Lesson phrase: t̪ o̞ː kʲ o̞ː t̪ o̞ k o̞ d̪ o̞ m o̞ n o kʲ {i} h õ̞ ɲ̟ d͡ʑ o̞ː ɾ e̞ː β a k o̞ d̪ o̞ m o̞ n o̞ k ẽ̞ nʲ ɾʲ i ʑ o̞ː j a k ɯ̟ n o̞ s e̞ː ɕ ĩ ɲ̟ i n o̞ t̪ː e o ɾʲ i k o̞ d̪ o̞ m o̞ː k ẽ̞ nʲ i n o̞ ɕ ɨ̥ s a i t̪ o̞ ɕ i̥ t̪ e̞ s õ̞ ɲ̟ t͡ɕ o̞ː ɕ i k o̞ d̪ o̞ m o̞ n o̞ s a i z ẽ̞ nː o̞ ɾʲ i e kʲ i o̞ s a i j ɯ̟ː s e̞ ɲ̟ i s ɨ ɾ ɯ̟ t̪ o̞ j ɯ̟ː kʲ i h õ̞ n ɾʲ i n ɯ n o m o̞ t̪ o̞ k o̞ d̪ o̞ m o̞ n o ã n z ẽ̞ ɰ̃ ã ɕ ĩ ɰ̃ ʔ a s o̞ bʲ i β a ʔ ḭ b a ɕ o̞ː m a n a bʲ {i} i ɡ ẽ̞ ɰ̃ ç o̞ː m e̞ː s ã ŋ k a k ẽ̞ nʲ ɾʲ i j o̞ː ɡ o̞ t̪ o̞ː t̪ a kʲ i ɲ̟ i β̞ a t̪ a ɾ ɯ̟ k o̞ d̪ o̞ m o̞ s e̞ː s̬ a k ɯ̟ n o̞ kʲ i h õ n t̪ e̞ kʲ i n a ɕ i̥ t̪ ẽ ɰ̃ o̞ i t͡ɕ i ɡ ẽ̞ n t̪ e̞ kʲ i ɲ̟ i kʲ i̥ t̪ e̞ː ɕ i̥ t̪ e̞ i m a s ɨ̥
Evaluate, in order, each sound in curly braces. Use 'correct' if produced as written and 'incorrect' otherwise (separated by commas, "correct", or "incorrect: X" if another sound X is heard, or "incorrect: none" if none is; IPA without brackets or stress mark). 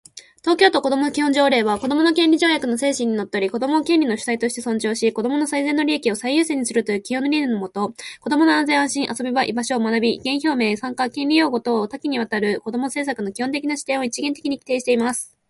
correct, correct